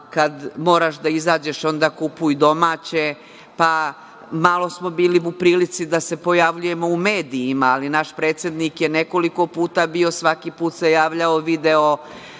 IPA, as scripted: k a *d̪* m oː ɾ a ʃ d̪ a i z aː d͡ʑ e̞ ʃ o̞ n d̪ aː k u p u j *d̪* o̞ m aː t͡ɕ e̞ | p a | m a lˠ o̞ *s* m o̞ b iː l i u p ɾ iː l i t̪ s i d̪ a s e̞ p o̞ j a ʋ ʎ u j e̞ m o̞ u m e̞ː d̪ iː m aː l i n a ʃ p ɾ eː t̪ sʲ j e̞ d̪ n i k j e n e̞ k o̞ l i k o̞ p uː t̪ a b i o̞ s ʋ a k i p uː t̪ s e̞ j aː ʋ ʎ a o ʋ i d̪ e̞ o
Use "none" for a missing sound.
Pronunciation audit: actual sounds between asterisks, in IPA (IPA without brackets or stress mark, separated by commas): d̪, d̪, s